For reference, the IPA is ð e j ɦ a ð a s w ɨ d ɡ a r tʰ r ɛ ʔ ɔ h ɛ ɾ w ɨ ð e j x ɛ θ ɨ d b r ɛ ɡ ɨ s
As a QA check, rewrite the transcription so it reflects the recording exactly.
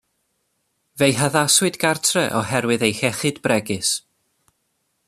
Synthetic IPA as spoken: v e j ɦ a ð a s w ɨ d ɡ a r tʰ r ɛ ʔ ɔ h ɛ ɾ w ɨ ð e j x ɛ χ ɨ d b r ɛ ɡ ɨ s